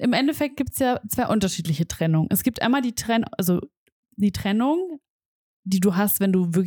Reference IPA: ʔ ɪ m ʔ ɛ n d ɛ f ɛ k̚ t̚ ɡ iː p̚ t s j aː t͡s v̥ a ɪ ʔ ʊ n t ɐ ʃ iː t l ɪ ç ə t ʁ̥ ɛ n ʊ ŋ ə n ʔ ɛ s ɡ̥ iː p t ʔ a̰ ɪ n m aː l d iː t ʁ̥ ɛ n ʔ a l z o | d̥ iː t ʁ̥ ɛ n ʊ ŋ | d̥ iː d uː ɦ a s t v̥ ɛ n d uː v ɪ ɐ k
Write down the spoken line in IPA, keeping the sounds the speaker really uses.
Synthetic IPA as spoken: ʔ ɪ m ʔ ɛ n d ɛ f ɛ k̚ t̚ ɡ iː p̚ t s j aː t͡s v̥ a ɪ ʔ ʊ n t ɐ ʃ iː t l ɪ ç ə t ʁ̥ ɛ n ʊ ŋ ə n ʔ ɛ s ɡ̥ iː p t ʔ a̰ ɪ n m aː l d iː t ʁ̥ ɛ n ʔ a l z o | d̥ iː t ʁ̥ ɛ n ʊ ŋ | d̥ iː d uː ɦ a s t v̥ ɛ n d uː v ɪ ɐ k